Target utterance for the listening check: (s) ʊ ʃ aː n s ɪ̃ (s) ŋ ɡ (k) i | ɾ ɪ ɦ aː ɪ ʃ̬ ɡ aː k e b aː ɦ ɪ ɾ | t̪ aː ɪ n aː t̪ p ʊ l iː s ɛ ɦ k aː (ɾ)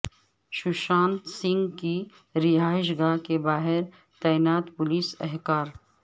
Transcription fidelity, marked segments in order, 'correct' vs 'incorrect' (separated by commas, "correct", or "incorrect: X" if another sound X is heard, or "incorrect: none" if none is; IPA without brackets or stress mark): incorrect: ʃ, incorrect: none, correct, correct